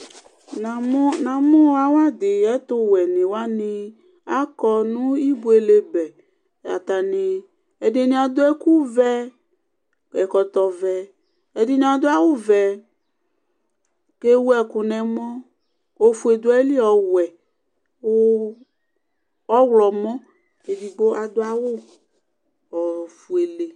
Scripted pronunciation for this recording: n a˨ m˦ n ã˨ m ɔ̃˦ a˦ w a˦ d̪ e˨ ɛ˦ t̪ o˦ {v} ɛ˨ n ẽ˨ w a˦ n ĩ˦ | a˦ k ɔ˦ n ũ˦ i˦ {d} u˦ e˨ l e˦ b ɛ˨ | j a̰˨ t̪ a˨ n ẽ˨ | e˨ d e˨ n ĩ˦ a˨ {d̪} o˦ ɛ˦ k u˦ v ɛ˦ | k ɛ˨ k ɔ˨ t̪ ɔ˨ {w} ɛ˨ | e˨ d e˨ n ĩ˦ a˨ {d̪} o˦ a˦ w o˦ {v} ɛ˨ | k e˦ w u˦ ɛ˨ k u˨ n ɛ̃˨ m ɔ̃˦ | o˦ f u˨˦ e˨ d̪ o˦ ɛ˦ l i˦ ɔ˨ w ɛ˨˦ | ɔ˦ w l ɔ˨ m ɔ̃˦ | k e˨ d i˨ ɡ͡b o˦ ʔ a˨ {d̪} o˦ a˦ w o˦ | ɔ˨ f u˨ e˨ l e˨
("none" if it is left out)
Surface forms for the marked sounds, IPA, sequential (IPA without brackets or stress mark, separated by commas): w, b, d̪, v, d̪, v, d̪